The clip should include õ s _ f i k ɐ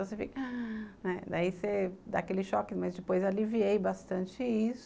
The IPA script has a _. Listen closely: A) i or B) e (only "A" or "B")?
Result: B